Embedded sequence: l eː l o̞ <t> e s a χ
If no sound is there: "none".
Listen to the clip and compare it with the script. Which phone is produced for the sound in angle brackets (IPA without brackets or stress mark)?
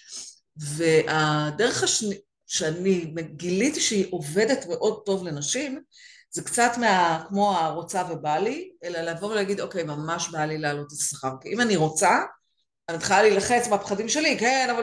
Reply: t